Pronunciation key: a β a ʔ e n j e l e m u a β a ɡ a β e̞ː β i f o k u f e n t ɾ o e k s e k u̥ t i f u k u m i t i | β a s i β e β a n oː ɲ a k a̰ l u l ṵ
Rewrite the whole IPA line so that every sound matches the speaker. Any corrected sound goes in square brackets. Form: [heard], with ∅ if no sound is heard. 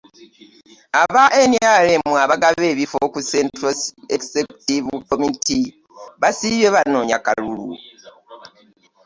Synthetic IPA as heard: a β a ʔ e n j [a] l e m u a β a ɡ a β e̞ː β i f o k u [s] e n t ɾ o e k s e k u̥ t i [v] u k [o] m i t i | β a s i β e β a n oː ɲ a k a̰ l u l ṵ